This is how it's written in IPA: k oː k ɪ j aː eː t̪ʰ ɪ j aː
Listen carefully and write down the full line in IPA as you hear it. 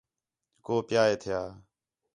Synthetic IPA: k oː p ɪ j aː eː t̪ʰ ɪ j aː